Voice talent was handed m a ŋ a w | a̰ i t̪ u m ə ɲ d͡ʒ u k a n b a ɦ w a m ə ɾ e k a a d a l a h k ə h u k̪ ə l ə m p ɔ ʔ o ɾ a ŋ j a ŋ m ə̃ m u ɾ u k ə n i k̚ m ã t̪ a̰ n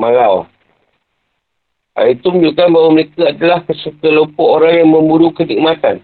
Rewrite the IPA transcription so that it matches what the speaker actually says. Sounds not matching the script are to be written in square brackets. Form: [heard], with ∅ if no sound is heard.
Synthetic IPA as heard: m a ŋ a w | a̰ i t̪ u m ə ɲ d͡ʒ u k a n b a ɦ w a m ə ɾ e k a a d a l a h k ə [s] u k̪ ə l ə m p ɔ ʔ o ɾ a ŋ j a ŋ m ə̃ m u ɾ u k ə n i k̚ m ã t̪ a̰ n